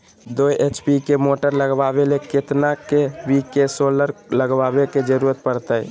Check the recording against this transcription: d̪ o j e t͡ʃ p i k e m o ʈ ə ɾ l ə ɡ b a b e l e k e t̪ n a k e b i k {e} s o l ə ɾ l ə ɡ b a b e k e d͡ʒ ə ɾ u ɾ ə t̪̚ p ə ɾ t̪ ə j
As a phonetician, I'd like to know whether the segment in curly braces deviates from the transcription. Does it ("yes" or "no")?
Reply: no